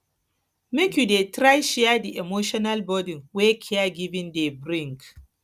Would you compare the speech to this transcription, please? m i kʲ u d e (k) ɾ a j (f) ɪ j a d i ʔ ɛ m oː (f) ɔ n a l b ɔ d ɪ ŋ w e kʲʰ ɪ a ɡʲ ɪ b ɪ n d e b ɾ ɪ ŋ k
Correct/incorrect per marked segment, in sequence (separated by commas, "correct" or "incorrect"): incorrect, incorrect, incorrect